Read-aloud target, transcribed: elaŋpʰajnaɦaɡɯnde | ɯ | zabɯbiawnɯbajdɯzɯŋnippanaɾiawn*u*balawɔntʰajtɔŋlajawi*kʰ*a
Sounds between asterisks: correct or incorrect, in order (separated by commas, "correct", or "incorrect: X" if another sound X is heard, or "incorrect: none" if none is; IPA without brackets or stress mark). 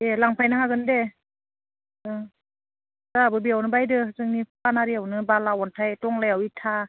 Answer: incorrect: ɯ, incorrect: tʰ